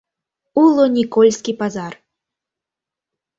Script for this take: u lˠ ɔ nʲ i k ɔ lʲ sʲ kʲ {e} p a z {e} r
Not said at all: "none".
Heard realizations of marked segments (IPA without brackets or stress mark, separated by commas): i, a